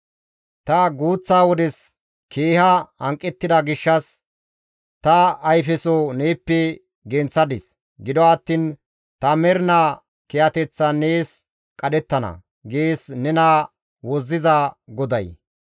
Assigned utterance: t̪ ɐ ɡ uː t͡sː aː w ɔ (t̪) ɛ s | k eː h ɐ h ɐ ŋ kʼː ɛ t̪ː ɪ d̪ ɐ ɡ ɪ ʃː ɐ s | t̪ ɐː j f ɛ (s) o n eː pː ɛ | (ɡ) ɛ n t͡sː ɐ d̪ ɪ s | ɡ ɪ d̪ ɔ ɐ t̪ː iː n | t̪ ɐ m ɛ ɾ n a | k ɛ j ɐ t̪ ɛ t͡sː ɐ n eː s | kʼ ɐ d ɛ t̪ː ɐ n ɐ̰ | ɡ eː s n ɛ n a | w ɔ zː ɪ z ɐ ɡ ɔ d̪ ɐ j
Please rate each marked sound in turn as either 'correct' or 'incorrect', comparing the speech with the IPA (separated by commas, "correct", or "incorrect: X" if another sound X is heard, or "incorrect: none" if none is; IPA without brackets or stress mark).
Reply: incorrect: d̪, correct, correct